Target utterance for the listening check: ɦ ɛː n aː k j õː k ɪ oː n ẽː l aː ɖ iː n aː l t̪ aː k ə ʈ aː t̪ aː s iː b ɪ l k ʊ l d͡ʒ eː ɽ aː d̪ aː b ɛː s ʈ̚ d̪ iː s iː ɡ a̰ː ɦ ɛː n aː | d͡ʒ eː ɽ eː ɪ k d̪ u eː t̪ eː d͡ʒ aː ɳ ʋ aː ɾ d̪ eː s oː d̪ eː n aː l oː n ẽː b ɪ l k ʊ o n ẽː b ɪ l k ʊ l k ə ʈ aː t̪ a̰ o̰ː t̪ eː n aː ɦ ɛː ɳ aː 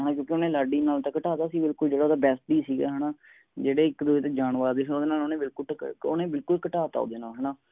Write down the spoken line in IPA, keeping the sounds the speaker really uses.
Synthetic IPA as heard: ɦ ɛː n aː k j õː k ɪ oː n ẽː l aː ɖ iː n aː l t̪ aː k ə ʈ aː t̪ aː s iː b ɪ l k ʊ l d͡ʒ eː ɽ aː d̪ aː b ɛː s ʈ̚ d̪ iː s iː ɡ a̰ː ɦ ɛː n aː | d͡ʒ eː ɽ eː ɪ k d̪ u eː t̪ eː d͡ʒ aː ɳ ʋ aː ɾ d̪ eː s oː d̪ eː n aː l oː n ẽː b ɪ l k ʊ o n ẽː b ɪ l k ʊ l k ə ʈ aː t̪ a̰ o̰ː d̪ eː n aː ɦ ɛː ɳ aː